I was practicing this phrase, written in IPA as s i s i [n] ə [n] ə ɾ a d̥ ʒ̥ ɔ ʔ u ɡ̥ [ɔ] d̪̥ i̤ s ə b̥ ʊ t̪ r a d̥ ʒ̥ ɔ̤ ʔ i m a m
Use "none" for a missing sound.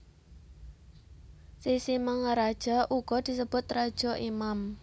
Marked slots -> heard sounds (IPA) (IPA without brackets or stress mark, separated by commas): m, ŋ, ɔ